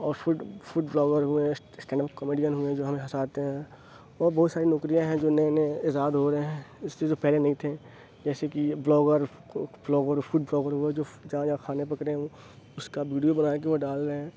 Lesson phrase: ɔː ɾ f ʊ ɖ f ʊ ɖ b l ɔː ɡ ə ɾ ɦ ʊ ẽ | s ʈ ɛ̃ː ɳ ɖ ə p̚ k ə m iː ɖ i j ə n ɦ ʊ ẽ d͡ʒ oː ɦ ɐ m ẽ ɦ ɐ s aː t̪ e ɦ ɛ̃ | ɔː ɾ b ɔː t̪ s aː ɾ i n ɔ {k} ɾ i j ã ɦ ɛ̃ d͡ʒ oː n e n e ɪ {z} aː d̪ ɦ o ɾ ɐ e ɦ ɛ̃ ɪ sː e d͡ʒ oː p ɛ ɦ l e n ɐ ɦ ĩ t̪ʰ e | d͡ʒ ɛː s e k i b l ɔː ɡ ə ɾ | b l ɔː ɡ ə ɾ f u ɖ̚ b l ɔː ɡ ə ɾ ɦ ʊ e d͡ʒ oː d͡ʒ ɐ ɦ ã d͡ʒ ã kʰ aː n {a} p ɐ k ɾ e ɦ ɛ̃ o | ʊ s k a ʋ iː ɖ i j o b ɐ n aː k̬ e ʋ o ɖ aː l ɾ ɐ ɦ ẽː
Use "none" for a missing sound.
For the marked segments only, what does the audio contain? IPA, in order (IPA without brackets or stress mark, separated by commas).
k, z, e